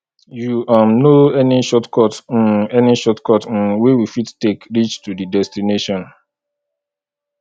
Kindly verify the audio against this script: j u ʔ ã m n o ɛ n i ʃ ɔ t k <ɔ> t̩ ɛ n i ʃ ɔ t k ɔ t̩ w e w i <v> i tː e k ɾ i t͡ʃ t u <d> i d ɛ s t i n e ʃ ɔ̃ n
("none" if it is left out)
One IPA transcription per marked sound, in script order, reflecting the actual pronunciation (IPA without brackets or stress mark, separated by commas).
ɔ, f, d